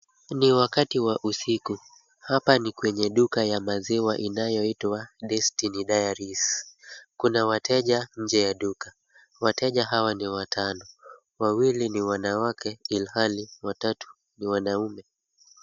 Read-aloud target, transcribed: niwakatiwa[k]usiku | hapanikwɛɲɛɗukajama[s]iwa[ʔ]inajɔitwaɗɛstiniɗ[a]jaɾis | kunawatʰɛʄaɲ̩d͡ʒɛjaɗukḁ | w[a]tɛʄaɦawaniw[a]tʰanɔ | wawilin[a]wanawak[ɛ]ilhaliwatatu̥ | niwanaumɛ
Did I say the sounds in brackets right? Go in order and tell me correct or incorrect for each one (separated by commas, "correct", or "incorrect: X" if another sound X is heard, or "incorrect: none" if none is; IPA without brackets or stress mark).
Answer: incorrect: ʔ, incorrect: z, correct, correct, correct, correct, incorrect: i, correct